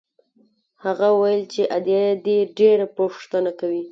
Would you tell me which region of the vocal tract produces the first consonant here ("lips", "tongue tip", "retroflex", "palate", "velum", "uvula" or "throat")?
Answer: throat